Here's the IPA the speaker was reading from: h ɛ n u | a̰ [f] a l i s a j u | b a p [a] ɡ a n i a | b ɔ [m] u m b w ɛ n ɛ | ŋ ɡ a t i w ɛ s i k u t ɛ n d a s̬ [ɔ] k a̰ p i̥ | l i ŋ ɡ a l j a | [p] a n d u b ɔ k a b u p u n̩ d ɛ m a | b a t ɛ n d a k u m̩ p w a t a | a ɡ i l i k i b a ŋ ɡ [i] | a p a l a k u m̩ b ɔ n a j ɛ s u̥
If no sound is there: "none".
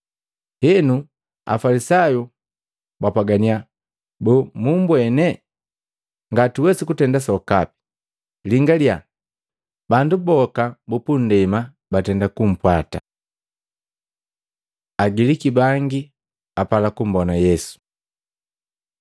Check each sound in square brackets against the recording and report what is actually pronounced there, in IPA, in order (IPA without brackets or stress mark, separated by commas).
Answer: f, a, m, ɔ, b, i